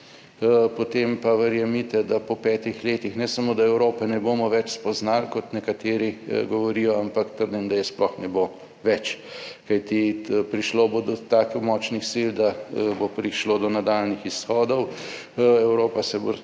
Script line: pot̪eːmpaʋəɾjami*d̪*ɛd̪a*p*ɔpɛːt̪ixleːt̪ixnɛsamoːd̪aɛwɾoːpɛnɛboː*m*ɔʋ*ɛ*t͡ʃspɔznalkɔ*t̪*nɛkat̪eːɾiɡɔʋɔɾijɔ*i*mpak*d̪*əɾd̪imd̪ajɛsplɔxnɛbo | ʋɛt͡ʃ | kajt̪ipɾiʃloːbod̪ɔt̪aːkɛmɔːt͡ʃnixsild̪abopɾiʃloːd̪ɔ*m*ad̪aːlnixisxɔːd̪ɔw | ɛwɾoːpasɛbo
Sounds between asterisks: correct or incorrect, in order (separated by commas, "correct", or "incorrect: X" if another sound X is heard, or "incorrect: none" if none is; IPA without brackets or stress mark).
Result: incorrect: t̪, correct, correct, correct, correct, incorrect: a, incorrect: t̪, incorrect: n